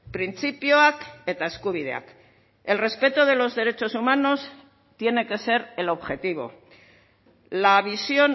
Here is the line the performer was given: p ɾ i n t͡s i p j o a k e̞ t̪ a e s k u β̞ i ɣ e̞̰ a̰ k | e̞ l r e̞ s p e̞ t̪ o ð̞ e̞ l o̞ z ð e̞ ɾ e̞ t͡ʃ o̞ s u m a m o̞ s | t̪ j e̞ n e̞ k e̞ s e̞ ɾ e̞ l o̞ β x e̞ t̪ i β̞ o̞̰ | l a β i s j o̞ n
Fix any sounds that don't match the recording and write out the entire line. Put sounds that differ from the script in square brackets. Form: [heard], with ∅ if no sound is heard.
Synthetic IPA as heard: p ɾ i n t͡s i p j o a k e̞ t̪ a e s k u β̞ i [ð] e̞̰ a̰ k | e̞ l r e̞ s p e̞ t̪ o ð̞ e̞ l o̞ z ð e̞ ɾ e̞ t͡ʃ o̞ s u m a [n] o̞ s | t̪ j e̞ n e̞ k e̞ s e̞ ɾ e̞ l o̞ β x e̞ t̪ i β̞ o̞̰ | l a β i s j o̞ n